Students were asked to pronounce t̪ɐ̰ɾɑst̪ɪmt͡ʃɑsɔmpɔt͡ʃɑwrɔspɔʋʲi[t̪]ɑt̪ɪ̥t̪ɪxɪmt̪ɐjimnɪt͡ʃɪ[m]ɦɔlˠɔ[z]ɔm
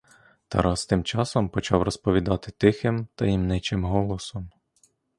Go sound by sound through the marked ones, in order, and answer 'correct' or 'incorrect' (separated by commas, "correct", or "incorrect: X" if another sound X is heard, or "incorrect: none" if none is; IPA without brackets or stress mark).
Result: incorrect: d̪, correct, incorrect: s